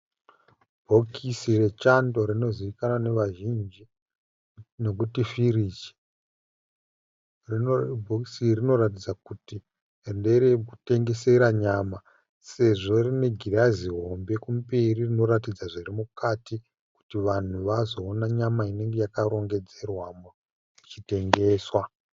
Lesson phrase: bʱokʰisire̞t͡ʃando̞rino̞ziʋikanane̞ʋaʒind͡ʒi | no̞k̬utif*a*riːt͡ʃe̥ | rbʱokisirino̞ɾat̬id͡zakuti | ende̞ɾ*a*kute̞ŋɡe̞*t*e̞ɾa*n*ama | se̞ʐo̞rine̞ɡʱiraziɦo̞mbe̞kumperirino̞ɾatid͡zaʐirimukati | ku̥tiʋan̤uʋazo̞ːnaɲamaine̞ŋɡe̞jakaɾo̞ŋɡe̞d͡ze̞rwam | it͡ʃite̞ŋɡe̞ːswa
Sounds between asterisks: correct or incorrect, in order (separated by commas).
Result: incorrect, incorrect, incorrect, incorrect